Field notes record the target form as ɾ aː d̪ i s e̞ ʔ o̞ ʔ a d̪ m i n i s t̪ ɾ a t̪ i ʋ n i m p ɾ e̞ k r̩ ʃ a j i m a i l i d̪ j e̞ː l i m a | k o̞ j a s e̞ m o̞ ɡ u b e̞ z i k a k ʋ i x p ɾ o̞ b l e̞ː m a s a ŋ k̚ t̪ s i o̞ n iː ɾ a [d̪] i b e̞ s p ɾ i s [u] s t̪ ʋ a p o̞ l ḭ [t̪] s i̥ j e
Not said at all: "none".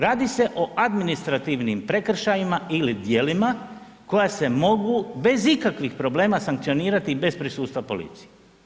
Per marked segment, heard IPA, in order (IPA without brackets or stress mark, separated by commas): t̪, uː, t̪